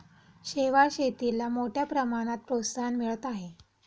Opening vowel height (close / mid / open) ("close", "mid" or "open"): mid